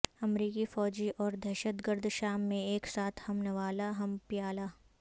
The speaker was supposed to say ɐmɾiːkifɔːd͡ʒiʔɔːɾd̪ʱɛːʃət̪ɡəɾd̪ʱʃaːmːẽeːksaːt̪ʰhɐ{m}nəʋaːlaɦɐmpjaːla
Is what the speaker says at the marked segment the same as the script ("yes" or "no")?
yes